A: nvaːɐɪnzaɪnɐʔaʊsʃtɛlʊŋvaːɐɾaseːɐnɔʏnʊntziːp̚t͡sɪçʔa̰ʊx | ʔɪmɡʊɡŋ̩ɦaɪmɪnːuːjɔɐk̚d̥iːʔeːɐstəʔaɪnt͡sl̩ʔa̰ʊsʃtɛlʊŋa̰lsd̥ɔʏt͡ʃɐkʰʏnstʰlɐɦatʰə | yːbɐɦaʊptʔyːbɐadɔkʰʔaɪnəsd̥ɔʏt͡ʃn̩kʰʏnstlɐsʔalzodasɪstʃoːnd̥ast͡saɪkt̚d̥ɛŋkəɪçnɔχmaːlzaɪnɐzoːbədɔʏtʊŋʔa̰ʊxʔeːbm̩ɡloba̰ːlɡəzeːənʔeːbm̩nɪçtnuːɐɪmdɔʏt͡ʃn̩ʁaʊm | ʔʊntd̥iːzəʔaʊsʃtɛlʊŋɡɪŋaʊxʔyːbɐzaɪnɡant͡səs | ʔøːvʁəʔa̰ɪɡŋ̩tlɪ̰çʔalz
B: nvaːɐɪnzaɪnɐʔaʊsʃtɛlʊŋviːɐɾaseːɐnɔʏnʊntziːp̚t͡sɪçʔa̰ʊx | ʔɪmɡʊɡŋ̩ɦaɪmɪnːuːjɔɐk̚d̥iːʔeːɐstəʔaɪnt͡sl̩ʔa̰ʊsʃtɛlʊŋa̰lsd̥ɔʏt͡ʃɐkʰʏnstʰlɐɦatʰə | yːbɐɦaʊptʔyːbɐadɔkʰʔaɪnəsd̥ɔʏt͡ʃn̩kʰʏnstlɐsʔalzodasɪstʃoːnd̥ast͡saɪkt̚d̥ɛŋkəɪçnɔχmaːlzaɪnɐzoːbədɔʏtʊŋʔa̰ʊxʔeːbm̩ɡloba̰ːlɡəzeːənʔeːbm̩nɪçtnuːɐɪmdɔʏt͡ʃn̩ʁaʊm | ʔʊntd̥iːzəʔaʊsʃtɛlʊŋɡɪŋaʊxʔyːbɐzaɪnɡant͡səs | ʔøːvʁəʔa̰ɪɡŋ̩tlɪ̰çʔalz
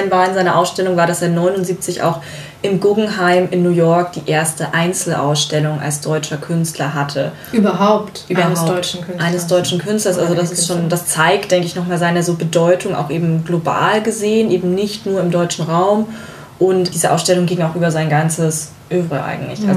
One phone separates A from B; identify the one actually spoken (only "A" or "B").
A